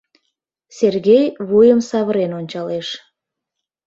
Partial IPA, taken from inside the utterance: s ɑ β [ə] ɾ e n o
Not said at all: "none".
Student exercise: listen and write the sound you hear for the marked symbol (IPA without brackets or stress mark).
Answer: ə